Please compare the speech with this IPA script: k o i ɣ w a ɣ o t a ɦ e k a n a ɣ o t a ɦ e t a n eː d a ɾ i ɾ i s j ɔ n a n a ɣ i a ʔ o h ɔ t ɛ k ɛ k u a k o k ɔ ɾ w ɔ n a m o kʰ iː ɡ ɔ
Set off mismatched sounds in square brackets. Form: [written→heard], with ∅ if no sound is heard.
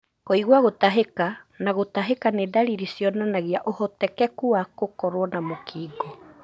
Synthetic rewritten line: k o i ɣ w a ɣ o t a ɦ e k a n a ɣ o t a ɦ e [t→k] a n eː d a ɾ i ɾ i s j ɔ n a n a ɣ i a ʔ o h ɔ t ɛ k ɛ k u a k o k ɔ ɾ w ɔ n a m o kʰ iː ɡ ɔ